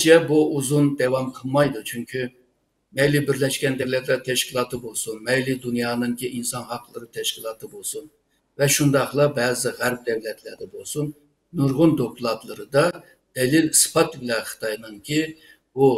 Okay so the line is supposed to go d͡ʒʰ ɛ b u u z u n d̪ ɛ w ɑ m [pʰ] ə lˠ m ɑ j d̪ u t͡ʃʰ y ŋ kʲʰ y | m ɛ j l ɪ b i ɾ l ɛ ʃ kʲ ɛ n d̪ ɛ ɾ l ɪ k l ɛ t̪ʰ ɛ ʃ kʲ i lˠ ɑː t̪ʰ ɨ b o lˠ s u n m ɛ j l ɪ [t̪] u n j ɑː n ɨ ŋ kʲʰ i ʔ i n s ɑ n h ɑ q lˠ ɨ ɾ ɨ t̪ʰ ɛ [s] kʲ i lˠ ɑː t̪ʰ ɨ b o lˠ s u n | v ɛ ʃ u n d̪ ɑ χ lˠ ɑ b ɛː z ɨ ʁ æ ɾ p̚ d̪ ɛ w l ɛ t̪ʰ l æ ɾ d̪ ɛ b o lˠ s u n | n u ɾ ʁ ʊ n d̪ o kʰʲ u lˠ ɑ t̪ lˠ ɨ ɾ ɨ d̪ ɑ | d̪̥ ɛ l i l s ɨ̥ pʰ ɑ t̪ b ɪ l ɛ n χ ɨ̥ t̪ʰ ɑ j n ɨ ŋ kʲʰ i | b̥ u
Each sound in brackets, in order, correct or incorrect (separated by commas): incorrect, incorrect, incorrect